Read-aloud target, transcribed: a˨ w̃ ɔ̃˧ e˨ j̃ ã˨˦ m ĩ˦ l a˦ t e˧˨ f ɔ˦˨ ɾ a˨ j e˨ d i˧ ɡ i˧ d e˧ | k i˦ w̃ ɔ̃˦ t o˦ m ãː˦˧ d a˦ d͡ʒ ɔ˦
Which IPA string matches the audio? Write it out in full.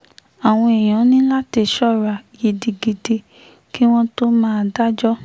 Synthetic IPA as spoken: a˨ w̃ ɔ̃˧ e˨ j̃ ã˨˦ n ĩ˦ l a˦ t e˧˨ ʃ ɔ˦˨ ɾ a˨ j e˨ d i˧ ɡ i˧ d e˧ | k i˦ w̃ ɔ̃˦ t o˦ m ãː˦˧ d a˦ d͡ʒ ɔ˦